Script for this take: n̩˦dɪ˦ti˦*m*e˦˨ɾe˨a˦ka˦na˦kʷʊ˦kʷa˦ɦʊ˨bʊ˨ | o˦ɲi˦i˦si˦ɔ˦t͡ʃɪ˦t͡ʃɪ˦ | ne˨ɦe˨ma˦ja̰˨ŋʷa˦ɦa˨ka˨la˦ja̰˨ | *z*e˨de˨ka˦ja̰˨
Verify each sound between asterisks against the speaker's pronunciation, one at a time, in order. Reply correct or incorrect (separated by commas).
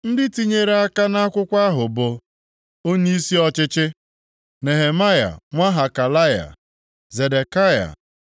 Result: incorrect, correct